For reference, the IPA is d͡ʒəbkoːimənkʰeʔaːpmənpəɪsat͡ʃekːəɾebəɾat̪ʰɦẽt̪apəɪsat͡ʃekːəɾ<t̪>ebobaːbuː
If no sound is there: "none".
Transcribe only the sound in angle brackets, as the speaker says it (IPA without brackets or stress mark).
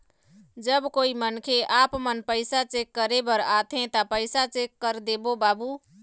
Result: d̪